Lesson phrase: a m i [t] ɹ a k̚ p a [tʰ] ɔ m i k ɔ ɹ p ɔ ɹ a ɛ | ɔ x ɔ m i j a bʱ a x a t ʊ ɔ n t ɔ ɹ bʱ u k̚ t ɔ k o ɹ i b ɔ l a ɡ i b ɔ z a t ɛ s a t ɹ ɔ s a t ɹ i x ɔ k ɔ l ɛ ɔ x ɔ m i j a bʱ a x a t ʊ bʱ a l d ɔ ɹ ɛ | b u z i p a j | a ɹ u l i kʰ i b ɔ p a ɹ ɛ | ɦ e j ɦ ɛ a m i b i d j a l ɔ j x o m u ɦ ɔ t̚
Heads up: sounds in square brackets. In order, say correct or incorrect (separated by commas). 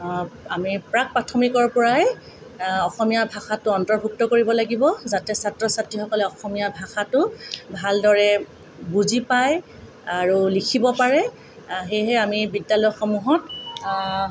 incorrect, correct